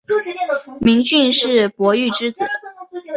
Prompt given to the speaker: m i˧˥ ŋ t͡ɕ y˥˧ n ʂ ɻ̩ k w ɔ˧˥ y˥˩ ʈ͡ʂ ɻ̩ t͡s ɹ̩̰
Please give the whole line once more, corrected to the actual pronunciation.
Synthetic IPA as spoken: m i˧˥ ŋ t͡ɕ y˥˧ n ʂ ɻ̩ p w ɔ˧˥ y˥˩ ʈ͡ʂ ɻ̩ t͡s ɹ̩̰

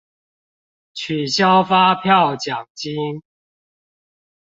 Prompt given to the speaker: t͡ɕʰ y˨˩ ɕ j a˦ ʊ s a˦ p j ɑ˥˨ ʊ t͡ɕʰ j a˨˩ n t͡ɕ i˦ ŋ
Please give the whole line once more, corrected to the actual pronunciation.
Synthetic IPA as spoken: t͡ɕʰ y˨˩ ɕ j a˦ ʊ f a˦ pʰ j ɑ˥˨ ʊ t͡ɕ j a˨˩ ŋ t͡ɕ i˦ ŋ

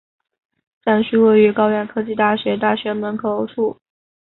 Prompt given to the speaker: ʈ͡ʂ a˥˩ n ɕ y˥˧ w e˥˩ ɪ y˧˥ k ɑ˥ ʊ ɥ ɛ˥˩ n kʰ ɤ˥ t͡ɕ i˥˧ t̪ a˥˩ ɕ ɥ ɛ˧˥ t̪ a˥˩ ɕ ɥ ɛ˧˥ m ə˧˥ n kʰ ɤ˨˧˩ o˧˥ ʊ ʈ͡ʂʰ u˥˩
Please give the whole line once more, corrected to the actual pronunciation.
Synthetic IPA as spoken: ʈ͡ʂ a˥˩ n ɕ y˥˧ w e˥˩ ɪ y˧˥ k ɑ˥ ʊ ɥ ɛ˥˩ n kʰ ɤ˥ t͡ɕ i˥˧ t̪ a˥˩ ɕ ɥ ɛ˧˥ t̪ a˥˩ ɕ ɥ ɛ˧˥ m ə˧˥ n kʰ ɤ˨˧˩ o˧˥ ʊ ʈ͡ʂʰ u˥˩

